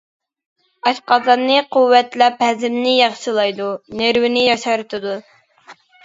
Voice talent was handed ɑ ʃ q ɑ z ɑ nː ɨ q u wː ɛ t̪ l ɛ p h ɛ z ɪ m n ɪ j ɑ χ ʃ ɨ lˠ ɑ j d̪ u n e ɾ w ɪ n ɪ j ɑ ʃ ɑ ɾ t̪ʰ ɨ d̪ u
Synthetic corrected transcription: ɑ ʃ q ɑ z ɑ nː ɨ q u wː ɛ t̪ l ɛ p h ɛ z ɪ m n ɪ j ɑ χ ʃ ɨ lˠ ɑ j d̪ u n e ɾ w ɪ n ɪ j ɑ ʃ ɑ ɾ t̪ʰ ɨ d̪ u